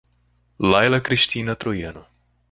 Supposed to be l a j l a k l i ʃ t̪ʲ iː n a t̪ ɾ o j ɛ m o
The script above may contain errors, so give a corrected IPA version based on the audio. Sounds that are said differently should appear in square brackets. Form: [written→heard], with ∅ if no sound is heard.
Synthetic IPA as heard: l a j l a k [l→ɾ] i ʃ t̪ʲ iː n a t̪ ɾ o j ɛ [m→n] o